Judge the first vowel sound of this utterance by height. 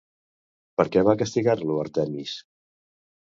mid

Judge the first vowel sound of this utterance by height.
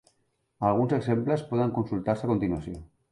low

